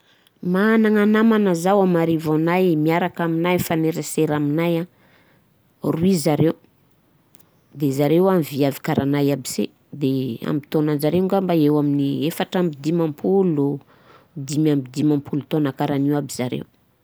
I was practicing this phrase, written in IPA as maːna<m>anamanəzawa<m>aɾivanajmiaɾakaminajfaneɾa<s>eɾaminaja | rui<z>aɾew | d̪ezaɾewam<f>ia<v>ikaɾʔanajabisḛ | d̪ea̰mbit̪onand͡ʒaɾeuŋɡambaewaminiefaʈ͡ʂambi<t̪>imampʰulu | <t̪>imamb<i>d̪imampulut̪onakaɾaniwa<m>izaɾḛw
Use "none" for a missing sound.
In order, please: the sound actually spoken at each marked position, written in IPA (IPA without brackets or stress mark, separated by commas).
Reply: ŋ, m, s, z, v, v, d̪, d̪, i, b